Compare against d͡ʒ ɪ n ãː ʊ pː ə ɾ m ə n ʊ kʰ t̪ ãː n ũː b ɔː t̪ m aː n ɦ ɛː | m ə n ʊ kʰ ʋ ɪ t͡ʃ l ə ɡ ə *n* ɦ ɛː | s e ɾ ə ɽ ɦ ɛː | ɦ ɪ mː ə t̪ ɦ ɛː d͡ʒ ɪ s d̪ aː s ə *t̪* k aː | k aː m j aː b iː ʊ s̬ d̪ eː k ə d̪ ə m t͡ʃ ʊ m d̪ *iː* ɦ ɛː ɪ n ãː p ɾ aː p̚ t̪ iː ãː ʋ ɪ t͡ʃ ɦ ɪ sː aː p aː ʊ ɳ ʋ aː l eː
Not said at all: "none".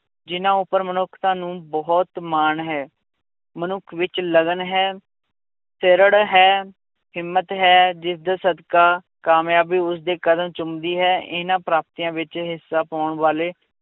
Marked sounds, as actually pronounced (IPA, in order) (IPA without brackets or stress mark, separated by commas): n, d̪, iː